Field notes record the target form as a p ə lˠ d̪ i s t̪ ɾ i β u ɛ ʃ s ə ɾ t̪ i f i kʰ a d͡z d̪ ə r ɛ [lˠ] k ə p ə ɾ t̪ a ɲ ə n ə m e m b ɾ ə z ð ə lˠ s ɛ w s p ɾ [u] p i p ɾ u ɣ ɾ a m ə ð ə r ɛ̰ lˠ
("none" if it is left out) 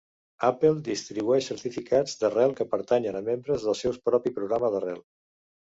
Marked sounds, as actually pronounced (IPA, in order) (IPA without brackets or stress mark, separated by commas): lˠ, ɔ